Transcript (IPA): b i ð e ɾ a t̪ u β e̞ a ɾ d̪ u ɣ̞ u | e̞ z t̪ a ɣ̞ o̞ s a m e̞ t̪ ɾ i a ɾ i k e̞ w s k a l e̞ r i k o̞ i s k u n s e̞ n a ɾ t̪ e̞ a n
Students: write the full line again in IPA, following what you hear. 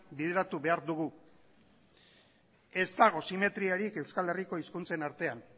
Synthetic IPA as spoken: b i ð e ɾ a t̪ u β e̞ a ɾ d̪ u ɣ̞ u | e̞ z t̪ a ɣ̞ o̞ s i m e̞ t̪ ɾ i a ɾ i k e̞ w s k a l e̞ r i k o̞ i s k u n t͡s e̞ n a ɾ t̪ e̞ a n